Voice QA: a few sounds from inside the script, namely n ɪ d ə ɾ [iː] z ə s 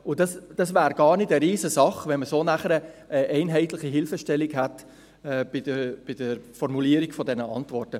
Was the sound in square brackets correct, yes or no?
yes